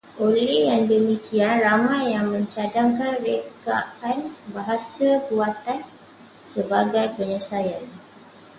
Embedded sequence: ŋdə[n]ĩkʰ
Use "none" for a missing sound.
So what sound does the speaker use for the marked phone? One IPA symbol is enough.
m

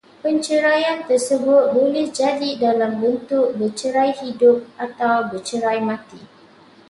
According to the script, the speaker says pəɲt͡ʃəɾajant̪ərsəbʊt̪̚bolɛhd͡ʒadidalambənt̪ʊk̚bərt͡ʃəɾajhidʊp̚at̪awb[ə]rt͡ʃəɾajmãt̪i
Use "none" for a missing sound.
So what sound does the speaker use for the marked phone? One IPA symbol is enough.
ə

